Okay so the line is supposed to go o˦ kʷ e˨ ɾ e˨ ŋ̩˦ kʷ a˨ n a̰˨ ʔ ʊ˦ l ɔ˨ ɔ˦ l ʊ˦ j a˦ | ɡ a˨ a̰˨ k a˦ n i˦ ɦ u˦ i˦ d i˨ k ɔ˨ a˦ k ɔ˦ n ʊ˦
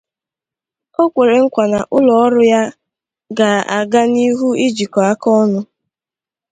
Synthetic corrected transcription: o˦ kʷ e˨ ɾ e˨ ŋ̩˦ kʷ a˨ n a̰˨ ʔ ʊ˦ l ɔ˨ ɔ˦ ɾ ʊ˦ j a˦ | ɡ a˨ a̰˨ ɡ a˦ n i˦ ɦ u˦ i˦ d͡ʒ i˨ k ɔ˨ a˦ k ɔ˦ n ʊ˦